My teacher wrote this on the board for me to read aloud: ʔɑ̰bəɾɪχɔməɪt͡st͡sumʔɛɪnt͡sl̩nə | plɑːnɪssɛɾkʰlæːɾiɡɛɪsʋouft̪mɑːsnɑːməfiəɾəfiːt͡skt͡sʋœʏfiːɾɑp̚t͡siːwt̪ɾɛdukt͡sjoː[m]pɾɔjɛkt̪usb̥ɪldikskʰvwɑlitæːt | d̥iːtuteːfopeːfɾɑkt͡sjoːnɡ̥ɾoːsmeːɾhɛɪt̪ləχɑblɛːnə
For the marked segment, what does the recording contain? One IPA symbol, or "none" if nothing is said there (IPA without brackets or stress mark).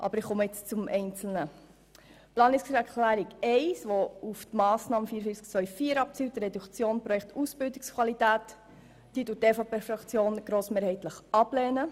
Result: n